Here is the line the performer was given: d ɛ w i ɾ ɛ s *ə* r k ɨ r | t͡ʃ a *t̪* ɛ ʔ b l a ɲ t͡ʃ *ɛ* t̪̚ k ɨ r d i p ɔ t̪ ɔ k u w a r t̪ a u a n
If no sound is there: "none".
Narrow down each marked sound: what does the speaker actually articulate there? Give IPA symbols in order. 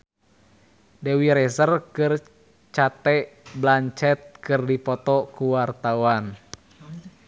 ə, t̪, ɛ

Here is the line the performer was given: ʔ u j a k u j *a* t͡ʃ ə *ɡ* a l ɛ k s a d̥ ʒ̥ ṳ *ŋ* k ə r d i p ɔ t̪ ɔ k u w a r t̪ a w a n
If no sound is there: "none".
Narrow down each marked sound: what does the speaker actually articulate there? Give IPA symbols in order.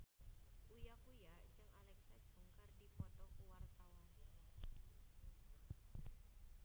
a, ŋ, ŋ

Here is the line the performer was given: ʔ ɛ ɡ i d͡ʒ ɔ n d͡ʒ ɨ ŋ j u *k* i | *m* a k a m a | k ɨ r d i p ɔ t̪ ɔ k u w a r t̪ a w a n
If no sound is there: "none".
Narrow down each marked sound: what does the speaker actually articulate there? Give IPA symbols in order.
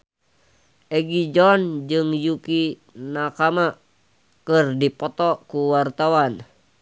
k, n

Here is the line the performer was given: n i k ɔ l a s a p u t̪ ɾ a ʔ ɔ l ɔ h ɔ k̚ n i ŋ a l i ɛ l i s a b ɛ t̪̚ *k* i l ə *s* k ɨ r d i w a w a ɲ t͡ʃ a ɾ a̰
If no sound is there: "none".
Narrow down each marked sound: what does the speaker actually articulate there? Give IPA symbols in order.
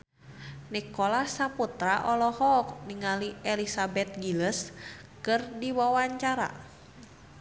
ɡ, s

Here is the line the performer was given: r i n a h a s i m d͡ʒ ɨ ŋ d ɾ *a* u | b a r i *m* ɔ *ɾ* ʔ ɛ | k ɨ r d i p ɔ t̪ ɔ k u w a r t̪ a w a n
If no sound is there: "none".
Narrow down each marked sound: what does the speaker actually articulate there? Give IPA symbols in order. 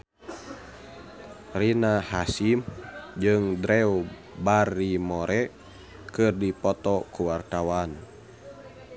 ɛ, m, ɾ

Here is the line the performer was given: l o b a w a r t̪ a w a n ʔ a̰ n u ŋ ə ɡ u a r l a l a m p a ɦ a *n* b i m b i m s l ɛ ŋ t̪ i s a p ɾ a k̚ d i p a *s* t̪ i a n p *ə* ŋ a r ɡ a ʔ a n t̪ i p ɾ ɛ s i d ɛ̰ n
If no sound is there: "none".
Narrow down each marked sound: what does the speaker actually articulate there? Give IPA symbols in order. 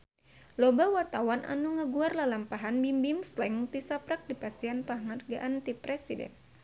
n, s, a

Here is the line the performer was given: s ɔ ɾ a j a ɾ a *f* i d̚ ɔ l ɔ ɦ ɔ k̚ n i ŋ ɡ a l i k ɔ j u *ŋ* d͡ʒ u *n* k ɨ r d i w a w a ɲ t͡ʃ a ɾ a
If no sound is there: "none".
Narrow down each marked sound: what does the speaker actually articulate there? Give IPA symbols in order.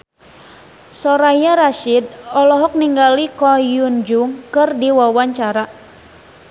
ʃ, n, ŋ

